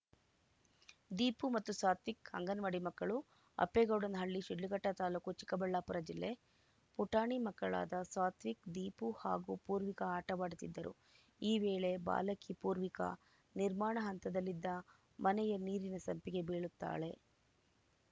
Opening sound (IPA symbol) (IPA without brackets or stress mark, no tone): d̪